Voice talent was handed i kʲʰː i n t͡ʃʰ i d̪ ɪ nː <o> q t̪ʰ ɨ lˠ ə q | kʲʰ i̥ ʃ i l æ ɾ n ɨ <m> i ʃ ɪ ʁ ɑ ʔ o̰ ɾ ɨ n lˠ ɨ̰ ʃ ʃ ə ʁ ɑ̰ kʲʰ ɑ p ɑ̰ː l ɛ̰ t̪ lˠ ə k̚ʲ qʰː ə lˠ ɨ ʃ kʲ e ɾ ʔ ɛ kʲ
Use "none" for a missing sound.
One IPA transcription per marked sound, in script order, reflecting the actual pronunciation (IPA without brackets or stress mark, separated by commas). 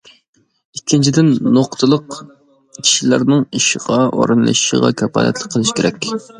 o, ŋ